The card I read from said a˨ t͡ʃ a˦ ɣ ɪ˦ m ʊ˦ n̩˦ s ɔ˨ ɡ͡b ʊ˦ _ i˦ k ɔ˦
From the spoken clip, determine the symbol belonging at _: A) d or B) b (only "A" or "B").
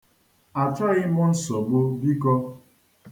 B